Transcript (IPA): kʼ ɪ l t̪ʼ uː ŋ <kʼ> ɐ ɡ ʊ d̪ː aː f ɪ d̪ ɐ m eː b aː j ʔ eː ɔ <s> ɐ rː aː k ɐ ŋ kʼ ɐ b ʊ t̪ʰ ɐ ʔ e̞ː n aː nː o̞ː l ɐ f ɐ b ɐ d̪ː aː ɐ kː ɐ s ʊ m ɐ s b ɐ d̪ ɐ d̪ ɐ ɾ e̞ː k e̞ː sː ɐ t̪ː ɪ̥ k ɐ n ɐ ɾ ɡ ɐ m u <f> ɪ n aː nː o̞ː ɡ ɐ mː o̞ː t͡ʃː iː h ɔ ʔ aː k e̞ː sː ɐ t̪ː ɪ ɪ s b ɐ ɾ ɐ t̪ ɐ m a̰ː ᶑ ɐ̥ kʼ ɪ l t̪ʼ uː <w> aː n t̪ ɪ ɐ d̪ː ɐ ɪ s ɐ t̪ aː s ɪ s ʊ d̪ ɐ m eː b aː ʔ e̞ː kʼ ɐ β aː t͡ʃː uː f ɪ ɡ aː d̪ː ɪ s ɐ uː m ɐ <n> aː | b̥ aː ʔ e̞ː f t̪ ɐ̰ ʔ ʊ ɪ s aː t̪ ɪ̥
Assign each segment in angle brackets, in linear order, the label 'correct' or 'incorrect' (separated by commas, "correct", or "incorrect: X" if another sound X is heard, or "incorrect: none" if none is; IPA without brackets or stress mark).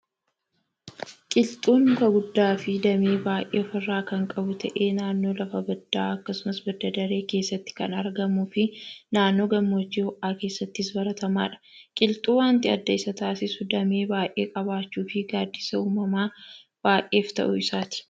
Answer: incorrect: k, incorrect: f, correct, correct, incorrect: m